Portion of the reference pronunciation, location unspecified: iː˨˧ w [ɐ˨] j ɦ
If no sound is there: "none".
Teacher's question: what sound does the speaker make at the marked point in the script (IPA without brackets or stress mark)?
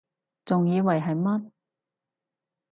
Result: ɐ˨